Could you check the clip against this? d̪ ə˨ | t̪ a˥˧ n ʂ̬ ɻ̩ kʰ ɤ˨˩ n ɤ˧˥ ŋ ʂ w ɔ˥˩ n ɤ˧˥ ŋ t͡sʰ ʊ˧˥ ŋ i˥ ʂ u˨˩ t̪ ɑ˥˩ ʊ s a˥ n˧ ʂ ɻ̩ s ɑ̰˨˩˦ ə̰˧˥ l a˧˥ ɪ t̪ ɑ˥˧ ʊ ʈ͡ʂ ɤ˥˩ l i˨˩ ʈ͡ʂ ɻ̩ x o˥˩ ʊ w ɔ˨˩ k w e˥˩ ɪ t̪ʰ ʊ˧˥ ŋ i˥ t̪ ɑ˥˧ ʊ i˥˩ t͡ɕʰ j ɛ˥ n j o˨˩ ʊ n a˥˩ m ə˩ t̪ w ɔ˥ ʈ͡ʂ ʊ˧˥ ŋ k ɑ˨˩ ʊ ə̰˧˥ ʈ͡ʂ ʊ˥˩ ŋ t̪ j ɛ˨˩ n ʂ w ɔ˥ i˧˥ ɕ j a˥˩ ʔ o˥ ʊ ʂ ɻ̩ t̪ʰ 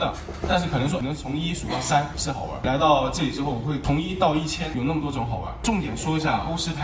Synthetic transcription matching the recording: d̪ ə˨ | t̪ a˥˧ n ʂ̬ ɻ̩ kʰ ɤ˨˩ n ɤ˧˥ ŋ ʂ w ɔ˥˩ n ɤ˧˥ ŋ t͡sʰ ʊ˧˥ ŋ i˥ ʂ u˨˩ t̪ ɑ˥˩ ʊ s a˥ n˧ ʂ ɻ̩ x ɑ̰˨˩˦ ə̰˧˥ l a˧˥ ɪ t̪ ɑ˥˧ ʊ ʈ͡ʂ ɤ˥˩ l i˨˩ ʈ͡ʂ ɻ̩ x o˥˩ ʊ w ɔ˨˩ x w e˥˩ ɪ t̪ʰ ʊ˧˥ ŋ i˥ t̪ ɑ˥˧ ʊ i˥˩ t͡ɕʰ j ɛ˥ n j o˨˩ ʊ n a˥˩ m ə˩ t̪ w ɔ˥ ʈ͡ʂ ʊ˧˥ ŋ x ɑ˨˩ ʊ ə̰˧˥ ʈ͡ʂ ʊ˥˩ ŋ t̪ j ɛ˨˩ n ʂ w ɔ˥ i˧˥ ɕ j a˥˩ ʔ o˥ ʊ ʂ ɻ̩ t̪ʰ